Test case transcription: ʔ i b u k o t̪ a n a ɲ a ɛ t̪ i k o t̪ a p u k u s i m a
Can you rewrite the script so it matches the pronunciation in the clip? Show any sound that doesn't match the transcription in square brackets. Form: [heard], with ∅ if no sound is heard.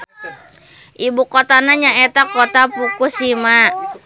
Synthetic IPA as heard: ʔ i b u k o t̪ a n a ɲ a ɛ t̪ [a] k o t̪ a p u k u s i m a